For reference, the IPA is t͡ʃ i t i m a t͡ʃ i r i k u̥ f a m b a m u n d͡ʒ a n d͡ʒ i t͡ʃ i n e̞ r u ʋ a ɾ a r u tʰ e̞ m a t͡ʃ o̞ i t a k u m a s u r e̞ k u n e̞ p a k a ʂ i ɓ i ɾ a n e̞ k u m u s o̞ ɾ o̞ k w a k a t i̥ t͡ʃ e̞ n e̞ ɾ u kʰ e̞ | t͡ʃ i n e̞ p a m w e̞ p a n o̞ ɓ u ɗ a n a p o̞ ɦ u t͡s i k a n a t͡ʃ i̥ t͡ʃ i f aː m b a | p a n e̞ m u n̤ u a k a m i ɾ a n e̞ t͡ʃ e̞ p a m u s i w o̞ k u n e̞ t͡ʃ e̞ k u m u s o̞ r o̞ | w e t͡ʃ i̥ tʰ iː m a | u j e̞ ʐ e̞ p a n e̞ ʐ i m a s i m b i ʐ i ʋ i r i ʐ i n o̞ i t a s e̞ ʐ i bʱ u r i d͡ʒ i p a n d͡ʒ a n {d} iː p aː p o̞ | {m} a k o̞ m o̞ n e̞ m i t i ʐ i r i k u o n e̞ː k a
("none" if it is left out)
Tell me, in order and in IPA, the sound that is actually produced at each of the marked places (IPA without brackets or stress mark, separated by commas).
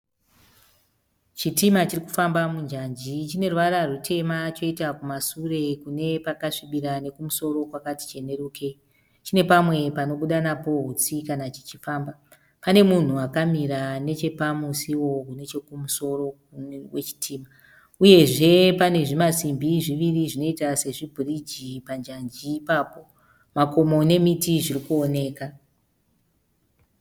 d͡ʒ, m